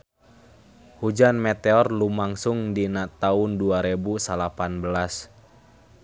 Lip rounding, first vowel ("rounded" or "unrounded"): rounded